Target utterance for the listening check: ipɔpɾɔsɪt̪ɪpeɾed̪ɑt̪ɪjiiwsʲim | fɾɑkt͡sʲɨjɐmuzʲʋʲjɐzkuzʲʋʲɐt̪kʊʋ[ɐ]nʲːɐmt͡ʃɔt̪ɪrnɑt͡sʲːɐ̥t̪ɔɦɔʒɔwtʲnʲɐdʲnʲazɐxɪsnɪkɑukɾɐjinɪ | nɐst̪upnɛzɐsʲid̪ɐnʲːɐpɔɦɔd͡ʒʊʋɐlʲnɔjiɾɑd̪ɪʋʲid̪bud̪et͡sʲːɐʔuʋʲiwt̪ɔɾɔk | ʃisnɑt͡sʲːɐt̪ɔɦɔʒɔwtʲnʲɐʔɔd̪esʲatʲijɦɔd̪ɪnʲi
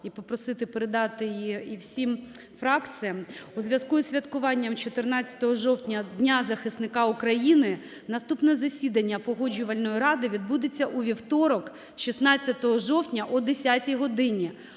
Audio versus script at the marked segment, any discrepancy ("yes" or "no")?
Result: yes